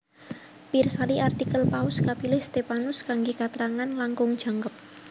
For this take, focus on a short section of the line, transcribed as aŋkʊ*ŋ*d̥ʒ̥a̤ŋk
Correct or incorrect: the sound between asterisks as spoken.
correct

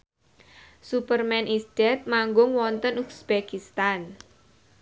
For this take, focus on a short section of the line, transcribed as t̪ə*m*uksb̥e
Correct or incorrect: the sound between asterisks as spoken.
incorrect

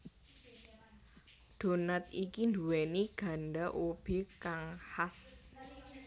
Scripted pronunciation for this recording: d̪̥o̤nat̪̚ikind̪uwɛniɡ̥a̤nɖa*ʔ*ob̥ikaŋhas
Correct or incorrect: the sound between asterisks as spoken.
correct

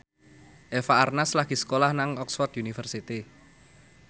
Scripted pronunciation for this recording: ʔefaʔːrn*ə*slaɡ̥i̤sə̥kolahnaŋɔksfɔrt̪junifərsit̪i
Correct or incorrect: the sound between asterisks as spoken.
incorrect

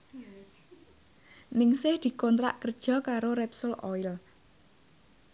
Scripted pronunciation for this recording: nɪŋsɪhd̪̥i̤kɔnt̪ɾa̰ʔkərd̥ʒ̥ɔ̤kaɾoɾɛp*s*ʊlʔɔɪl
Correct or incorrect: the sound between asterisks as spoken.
correct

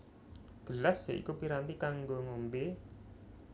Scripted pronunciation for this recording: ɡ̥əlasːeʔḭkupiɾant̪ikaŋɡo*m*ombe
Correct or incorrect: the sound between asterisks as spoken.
incorrect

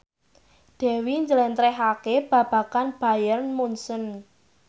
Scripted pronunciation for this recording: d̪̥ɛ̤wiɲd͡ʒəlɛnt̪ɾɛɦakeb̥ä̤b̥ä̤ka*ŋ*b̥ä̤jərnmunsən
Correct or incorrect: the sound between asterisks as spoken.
incorrect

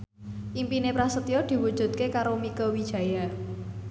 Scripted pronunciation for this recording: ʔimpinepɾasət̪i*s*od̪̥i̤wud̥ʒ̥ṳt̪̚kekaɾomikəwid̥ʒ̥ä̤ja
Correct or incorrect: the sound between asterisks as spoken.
incorrect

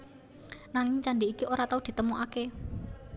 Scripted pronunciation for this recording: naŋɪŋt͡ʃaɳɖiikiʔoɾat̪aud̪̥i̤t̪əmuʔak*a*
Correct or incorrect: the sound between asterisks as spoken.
incorrect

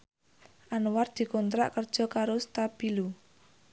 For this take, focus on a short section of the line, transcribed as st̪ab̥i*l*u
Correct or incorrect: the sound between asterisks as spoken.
correct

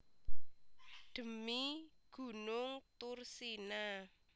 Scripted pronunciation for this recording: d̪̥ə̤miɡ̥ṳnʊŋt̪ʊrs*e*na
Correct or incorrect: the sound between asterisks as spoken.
incorrect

